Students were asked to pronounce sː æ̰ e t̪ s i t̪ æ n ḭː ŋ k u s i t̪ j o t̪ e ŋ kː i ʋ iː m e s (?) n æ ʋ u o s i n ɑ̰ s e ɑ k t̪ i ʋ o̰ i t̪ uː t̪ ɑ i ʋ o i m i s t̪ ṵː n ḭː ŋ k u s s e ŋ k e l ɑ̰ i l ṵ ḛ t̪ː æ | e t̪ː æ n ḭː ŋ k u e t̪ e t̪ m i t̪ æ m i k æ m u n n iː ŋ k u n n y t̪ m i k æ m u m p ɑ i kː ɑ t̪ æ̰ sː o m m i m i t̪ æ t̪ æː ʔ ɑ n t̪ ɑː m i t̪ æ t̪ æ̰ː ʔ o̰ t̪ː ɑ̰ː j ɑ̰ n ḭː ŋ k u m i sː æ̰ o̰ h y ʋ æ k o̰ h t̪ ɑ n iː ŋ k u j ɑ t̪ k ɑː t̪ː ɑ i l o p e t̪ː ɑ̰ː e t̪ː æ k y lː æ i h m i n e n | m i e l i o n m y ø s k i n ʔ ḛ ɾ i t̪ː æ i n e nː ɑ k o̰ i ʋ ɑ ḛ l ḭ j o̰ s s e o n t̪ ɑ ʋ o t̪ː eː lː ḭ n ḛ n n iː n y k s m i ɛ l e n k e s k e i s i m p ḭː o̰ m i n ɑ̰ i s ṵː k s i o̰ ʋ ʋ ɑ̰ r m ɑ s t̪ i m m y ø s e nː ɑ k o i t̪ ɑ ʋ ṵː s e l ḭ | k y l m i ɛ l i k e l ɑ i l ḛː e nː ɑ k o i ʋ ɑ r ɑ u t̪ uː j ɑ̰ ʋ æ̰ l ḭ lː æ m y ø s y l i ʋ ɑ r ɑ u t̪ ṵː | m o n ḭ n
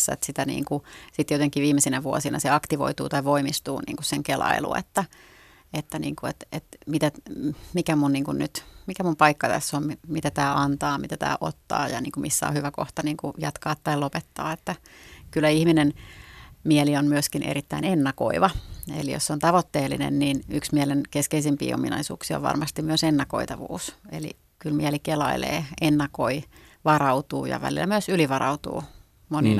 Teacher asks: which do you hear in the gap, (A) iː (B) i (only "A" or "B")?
B